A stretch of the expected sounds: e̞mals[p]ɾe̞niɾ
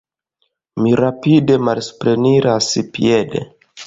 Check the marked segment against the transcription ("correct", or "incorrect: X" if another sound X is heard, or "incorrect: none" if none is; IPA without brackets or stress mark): correct